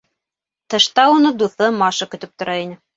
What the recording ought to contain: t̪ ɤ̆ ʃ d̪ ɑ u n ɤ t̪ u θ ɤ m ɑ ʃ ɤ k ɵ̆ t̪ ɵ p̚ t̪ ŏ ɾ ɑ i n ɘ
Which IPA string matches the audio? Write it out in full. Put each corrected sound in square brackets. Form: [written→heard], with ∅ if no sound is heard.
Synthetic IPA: t̪ ɤ̆ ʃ [d̪→t̪] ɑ u n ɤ [t̪→d̪] u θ ɤ m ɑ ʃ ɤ k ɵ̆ t̪ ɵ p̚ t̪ ŏ ɾ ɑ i n ɘ